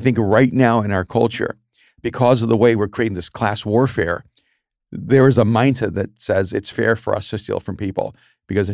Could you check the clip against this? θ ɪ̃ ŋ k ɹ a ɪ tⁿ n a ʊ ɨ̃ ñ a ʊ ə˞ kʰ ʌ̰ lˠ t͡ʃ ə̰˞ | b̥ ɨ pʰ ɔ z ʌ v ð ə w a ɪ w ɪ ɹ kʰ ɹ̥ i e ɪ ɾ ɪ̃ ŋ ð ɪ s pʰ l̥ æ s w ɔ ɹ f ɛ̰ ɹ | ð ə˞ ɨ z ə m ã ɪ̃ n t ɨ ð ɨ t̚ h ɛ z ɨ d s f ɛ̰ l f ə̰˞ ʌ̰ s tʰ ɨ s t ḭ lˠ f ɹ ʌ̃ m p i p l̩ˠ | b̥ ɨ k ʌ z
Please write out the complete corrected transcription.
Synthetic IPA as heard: θ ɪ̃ ŋ k ɹ a ɪ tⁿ n a ʊ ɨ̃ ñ a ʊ ə˞ kʰ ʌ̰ lˠ t͡ʃ ə̰˞ | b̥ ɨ kʰ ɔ z ʌ v ð ə w e ɪ w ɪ ɹ kʰ ɹ̥ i e ɪ ɾ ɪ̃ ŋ ð ɪ s kʰ l̥ æ s w ɔ ɹ f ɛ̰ ɹ | ð ə˞ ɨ z ə m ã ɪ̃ n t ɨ ð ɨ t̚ s ɛ z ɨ t s f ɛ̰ ɹ f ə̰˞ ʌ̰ s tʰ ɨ s t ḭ lˠ f ɹ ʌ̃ m p i p l̩ˠ | b̥ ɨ k ʌ z